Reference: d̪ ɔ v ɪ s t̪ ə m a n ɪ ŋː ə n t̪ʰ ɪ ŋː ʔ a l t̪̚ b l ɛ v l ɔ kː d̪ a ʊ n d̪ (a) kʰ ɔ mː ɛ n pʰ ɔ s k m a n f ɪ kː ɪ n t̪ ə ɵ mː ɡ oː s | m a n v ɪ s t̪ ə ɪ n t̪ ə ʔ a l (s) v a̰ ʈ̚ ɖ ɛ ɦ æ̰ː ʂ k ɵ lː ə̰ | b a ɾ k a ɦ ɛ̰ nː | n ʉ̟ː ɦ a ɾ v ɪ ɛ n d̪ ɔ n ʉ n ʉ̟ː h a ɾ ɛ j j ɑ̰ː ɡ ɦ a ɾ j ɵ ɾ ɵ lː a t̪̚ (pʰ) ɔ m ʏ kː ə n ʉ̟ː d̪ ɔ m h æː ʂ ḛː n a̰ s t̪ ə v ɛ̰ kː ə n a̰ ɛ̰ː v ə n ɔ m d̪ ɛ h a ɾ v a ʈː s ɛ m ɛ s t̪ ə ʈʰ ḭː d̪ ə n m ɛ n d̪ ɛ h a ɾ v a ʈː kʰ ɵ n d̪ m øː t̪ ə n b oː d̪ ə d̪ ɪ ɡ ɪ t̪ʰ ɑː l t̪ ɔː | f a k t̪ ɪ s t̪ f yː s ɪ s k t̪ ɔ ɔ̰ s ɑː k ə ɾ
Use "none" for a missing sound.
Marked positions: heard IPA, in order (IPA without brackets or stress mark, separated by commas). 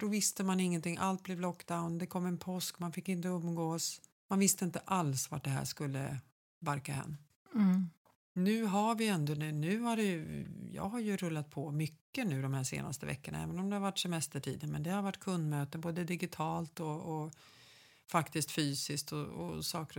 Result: ɛ, s, pʰ